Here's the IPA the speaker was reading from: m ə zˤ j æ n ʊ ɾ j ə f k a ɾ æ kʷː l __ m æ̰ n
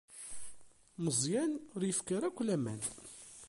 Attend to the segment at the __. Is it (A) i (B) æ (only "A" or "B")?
B